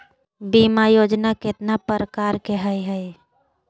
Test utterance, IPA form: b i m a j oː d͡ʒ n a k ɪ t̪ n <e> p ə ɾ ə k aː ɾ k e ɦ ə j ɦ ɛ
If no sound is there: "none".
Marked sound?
a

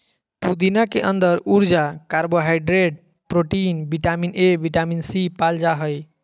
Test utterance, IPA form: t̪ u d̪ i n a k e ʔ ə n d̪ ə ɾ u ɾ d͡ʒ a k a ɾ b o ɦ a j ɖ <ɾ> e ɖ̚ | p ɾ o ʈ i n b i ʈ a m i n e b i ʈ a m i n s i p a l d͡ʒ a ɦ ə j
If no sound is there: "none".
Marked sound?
ɾ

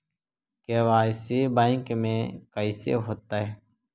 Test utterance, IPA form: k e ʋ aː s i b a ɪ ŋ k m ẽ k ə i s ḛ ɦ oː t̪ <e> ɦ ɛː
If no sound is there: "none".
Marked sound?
a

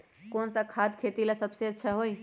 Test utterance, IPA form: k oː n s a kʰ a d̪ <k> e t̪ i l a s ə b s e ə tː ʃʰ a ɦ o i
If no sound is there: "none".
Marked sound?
kʰ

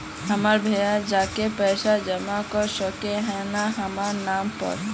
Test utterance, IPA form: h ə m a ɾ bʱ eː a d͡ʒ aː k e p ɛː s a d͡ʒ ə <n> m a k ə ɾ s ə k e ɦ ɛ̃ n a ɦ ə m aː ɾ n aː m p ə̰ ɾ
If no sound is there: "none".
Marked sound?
none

